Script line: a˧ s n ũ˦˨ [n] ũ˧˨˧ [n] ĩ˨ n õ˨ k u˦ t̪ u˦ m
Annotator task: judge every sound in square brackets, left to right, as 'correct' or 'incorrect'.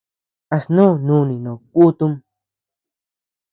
correct, correct

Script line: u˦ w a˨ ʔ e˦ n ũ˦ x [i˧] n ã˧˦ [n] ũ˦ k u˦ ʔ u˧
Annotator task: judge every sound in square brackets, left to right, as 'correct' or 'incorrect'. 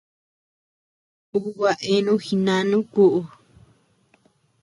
correct, correct

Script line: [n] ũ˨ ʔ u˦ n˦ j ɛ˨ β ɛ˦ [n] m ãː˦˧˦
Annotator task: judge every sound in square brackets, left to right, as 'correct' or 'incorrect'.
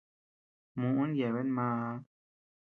incorrect, correct

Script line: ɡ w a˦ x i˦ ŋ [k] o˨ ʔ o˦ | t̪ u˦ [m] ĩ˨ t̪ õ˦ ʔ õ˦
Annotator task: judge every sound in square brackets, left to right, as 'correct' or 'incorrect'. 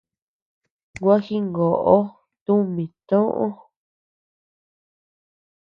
incorrect, correct

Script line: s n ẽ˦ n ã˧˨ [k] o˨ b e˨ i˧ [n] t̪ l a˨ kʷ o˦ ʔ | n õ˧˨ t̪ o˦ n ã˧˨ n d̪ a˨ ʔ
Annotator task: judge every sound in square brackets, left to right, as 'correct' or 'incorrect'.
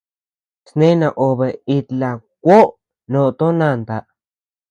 incorrect, incorrect

